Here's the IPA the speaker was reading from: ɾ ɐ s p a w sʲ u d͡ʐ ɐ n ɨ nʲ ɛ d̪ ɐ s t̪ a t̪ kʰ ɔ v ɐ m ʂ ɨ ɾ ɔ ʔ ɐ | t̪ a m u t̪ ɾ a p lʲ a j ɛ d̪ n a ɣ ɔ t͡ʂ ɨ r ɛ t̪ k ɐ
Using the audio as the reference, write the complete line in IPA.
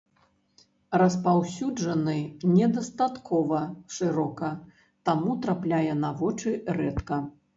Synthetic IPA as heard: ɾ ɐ s p a w sʲ u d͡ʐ ɐ n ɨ nʲ ɛ d̪ ɐ s t̪ a t̪ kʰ ɔ v ɐ ʂ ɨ ɾ ɔ k ɐ | t̪ a m u t̪ ɾ a p lʲ a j ɛ n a v ɔ t͡ʂ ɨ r ɛ t̪ k ɐ